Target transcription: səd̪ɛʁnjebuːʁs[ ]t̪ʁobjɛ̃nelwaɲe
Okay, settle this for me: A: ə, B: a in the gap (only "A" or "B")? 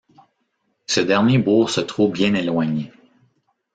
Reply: A